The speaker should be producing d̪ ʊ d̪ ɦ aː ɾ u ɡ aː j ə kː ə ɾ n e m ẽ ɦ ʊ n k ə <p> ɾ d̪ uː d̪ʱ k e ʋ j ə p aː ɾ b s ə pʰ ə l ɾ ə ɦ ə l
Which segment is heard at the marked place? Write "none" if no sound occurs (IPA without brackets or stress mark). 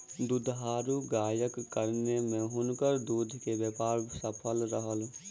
none